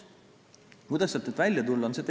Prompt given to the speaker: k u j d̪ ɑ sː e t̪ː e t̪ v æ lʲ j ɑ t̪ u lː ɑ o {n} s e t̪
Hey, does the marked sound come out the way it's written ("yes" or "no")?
yes